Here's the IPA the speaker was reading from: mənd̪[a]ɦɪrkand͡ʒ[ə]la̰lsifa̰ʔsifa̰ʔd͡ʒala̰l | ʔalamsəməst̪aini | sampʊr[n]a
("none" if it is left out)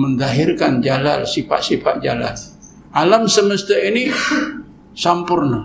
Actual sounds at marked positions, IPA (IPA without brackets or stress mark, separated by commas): a, a, n